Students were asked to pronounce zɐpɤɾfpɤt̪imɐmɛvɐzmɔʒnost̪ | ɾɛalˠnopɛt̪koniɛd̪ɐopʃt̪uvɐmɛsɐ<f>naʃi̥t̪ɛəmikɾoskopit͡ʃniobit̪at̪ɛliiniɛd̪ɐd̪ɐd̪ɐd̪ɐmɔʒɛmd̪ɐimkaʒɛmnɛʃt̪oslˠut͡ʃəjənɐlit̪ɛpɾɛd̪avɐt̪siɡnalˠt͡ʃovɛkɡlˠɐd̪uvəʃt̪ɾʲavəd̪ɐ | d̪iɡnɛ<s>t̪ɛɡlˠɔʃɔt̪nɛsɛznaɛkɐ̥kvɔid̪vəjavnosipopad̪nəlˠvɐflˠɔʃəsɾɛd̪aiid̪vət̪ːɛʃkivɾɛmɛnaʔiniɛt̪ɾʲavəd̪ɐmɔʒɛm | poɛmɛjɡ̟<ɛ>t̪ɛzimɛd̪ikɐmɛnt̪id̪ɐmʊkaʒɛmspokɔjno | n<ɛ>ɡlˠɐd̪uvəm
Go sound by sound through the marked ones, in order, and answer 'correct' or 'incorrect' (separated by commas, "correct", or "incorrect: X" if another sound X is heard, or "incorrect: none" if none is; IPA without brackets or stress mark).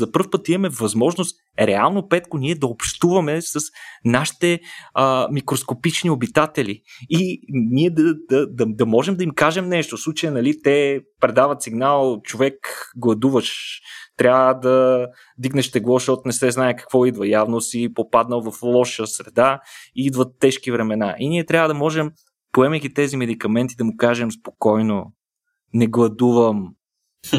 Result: incorrect: s, incorrect: ʃ, incorrect: i, correct